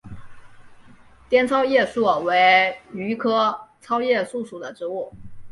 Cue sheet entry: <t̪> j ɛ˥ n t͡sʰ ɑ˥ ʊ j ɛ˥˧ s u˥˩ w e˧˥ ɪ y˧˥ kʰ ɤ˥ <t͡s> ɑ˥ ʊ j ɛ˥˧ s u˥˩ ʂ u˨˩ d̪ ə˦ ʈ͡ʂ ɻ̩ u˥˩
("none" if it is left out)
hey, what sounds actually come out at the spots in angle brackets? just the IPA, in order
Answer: t̪, t͡sʰ

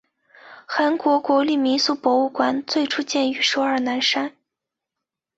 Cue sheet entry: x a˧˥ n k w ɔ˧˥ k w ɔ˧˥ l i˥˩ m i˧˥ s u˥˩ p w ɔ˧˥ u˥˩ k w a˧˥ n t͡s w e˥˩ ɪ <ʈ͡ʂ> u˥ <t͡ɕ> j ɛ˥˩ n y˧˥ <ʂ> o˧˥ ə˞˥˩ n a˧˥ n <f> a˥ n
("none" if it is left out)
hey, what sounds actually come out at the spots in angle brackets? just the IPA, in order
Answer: ʈ͡ʂʰ, t͡ɕ, ʂ, ʂ

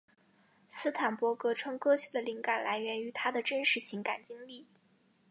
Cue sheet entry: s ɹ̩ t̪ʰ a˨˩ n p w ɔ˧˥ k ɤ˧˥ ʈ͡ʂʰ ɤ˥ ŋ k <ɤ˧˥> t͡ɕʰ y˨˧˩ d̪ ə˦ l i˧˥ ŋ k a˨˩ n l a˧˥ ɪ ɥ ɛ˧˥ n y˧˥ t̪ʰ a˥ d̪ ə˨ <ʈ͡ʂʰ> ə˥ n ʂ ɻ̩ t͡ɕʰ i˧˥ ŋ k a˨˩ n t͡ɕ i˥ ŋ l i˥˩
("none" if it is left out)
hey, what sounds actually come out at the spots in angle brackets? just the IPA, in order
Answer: ɤ˥, ʈ͡ʂ

